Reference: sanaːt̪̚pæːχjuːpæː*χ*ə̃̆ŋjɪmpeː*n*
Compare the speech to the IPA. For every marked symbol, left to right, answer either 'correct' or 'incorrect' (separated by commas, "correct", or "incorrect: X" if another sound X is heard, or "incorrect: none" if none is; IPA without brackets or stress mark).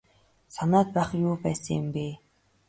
incorrect: s, incorrect: none